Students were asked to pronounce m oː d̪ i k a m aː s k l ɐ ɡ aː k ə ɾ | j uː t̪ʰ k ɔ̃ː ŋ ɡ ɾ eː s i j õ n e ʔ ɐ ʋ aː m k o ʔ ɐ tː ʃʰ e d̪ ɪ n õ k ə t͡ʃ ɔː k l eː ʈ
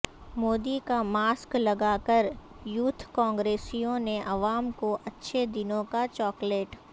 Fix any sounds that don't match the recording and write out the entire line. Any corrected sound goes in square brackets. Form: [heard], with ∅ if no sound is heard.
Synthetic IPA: m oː d̪ i k a m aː s k l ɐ ɡ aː k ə ɾ | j uː t̪ʰ k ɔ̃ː ŋ ɡ ɾ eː s i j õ n e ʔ ɐ ʋ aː m k o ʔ ɐ tː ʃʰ e d̪ ɪ n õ k [a] t͡ʃ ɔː k l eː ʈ